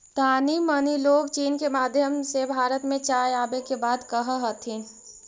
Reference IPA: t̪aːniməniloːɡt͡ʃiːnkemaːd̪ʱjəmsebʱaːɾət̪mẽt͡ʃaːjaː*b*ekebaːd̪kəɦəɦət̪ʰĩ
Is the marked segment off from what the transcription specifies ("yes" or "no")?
no